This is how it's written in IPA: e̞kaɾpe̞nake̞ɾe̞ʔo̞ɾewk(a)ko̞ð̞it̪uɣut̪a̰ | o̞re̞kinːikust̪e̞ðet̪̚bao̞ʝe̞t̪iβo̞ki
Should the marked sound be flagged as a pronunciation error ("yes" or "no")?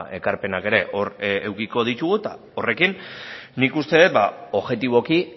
yes